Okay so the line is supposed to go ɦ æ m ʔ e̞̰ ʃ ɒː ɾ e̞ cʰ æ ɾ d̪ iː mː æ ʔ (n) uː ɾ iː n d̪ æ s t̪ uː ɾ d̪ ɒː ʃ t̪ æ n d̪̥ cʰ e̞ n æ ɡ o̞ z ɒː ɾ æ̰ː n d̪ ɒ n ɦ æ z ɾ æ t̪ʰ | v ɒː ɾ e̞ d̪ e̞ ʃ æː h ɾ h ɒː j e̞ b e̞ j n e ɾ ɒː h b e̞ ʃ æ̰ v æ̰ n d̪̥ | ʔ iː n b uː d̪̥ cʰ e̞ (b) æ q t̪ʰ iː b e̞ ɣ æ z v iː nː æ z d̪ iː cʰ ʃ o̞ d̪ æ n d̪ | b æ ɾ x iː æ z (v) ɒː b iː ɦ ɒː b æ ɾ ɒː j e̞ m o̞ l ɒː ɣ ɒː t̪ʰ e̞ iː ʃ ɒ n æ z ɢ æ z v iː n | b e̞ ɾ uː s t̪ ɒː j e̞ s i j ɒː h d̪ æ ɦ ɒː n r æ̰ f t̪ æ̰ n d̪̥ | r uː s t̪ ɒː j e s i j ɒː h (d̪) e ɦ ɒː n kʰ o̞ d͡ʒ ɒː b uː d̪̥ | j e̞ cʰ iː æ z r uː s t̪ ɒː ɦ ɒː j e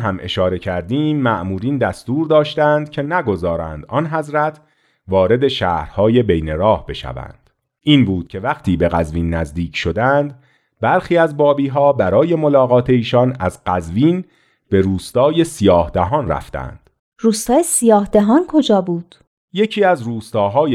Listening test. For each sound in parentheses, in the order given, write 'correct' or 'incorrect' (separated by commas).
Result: incorrect, incorrect, incorrect, correct